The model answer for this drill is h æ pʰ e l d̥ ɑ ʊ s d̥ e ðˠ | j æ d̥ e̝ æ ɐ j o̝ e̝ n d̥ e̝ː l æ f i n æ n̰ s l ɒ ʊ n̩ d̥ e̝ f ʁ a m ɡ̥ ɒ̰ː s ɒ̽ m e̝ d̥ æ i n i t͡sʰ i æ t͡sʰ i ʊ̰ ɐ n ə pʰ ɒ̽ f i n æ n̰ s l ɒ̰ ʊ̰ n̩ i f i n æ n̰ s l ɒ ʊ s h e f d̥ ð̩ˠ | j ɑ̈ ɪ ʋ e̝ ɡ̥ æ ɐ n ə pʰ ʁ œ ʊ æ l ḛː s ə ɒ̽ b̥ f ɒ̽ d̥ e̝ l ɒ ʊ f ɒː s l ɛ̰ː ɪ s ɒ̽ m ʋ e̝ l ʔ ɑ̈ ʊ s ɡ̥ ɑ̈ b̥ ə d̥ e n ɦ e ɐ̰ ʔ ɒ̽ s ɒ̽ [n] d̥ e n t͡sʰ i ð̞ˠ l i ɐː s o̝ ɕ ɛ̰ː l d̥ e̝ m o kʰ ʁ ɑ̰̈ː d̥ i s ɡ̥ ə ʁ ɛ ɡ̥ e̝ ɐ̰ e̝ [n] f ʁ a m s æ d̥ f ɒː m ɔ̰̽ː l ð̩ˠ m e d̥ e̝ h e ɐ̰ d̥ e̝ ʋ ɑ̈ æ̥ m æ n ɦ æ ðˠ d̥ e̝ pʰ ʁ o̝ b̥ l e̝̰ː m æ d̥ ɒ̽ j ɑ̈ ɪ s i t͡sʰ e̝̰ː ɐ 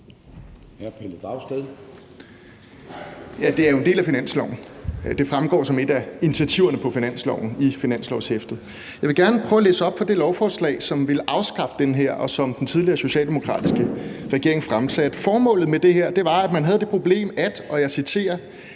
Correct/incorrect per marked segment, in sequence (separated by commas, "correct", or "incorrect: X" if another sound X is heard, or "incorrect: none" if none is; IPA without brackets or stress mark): incorrect: m, incorrect: ŋ